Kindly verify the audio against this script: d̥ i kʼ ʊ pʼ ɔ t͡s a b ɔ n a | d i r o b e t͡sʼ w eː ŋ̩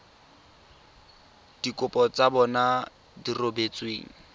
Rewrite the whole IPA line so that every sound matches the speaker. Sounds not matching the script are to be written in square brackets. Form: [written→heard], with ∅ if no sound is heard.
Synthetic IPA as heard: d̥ i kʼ ʊ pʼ ɔ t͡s a b ɔ n a | d i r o b e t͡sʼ w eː ŋ̩